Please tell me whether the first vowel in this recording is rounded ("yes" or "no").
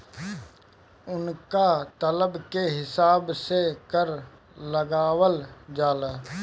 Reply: yes